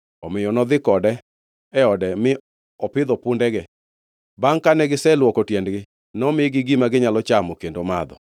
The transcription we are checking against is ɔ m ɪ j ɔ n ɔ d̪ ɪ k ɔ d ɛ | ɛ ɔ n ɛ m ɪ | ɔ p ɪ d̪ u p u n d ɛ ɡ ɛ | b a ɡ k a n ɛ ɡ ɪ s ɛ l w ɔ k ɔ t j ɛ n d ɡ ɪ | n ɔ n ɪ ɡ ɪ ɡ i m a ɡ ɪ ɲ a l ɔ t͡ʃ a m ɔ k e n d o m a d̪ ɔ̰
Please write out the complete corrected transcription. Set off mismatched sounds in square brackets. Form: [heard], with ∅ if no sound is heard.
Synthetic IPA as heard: ɔ m ɪ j ɔ n ɔ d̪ ɪ k ɔ d ɛ | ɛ ɔ [d] ɛ m ɪ | ɔ p ɪ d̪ [ɔ] p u n d ɛ ɡ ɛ | b a [ŋ] k a n ɛ ɡ ɪ s ɛ l w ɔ k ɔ t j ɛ n d ɡ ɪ | n ɔ [m] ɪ ɡ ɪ ɡ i m a ɡ ɪ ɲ a l ɔ t͡ʃ a m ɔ k e n d o m a d̪ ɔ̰

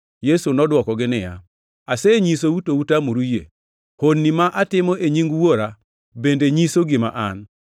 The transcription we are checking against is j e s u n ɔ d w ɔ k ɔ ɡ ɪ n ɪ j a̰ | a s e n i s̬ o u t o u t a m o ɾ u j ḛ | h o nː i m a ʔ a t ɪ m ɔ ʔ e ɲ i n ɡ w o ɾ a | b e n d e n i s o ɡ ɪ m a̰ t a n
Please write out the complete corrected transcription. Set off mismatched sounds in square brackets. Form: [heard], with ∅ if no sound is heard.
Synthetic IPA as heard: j e s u n ɔ d w ɔ k ɔ ɡ ɪ n ɪ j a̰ | a s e [ɲ] i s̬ o u t o u t a m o ɾ u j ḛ | h o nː i m a ʔ a t ɪ m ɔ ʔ e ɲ i [ŋ] ɡ w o ɾ a | b e n d e [ɲ] i s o ɡ ɪ m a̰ [ʔ] a n

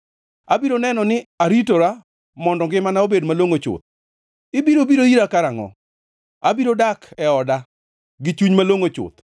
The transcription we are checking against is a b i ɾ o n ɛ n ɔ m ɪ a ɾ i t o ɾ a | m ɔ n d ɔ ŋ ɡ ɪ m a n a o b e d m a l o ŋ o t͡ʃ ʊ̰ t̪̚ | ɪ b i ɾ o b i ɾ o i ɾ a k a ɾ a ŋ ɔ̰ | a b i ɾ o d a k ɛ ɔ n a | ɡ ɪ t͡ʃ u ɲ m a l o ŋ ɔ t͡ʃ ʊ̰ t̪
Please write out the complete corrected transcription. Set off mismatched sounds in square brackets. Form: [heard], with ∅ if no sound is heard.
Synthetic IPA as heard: a b i ɾ o n ɛ n ɔ [n] ɪ a ɾ i t o ɾ a | m ɔ n d ɔ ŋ ɡ ɪ m a n a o b e d m a l o ŋ o t͡ʃ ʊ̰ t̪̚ | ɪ b i ɾ o b i ɾ o i ɾ a k a ɾ a ŋ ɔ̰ | a b i ɾ o d a k ɛ ɔ [d] a | ɡ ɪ t͡ʃ u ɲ m a l o ŋ [o] t͡ʃ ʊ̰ t̪

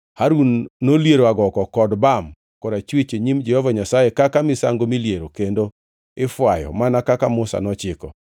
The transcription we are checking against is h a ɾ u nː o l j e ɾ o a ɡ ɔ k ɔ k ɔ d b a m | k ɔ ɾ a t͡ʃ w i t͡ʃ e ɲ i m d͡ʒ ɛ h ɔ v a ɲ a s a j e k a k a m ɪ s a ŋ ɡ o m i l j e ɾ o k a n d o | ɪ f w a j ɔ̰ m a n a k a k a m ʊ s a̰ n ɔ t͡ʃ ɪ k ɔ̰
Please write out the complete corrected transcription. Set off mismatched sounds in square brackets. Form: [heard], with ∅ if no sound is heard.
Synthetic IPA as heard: h a ɾ u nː o l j e ɾ o a ɡ ɔ k ɔ k ɔ d b a m | k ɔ ɾ a t͡ʃ w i t͡ʃ e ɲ i m d͡ʒ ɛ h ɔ v a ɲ a s a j e k a k a m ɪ s a ŋ ɡ o m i l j e ɾ o k [e] n d o | ɪ f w a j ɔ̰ m a n a k a k a m ʊ s a̰ n ɔ t͡ʃ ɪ k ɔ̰

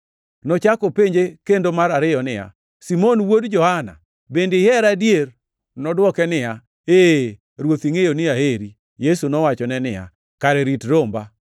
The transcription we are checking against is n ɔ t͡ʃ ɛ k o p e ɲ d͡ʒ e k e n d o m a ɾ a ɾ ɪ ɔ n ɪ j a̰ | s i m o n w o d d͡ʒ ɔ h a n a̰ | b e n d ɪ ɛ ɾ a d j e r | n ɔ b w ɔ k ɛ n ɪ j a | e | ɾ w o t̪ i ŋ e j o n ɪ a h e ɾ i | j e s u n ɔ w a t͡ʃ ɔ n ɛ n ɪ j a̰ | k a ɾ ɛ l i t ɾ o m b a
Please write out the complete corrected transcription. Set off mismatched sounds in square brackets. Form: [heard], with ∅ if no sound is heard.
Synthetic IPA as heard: n ɔ t͡ʃ [a] k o p e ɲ d͡ʒ e k e n d o m a ɾ a ɾ ɪ ɔ n ɪ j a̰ | s i m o n w o d d͡ʒ ɔ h a n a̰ | b e n d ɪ ɛ ɾ a d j e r | n ɔ [d] w ɔ k ɛ n ɪ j a | e | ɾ w o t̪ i ŋ e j o n ɪ a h e ɾ i | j e s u n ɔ w a t͡ʃ ɔ n ɛ n ɪ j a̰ | k a ɾ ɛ [ɾ] i t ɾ o m b a

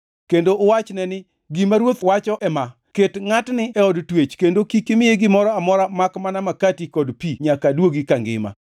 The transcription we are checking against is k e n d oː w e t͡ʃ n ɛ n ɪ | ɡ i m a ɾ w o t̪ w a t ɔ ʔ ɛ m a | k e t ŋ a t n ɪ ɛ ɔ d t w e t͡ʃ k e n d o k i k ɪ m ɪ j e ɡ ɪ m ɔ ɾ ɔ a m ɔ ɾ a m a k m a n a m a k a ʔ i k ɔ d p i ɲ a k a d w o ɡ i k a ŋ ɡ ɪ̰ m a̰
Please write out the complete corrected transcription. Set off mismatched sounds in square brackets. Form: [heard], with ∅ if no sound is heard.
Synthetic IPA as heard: k e n d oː w [a] t͡ʃ n ɛ n ɪ | ɡ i m a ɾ w o t̪ w a [t͡ʃ] ɔ ʔ ɛ m a | k e t ŋ a t n ɪ ɛ ɔ d t w e t͡ʃ k e n d o k i k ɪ m ɪ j e ɡ ɪ m ɔ ɾ ɔ a m ɔ ɾ a m a k m a n a m a k a [t] i k ɔ d p i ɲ a k a d w o ɡ i k a ŋ ɡ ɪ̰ m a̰

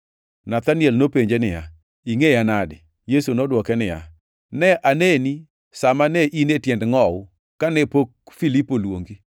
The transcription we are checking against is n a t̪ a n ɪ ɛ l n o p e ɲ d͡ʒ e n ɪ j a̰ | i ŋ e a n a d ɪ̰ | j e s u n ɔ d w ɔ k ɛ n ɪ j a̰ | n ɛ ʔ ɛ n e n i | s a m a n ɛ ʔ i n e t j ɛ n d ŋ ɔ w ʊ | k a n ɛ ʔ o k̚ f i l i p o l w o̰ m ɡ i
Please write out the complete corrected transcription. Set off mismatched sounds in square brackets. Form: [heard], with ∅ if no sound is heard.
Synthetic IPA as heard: n a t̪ a n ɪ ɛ l n o p e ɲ d͡ʒ e n ɪ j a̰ | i ŋ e a n a d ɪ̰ | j e s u n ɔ d w ɔ k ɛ n ɪ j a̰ | n ɛ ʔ [a] n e n i | s a m a n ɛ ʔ i n e t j ɛ n d ŋ ɔ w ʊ | k a n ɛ [p] o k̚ f i l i p o l w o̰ [ŋ] ɡ i

